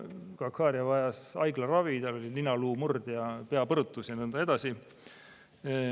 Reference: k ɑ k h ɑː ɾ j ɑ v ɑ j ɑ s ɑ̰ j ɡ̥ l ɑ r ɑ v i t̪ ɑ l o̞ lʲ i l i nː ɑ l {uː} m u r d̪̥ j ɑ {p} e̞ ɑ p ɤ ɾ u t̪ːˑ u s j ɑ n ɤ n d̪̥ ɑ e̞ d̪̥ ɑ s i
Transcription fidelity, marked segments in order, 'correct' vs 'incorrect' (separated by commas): correct, correct